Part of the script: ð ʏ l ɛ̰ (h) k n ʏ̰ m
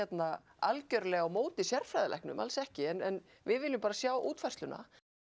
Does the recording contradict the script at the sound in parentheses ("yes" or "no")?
no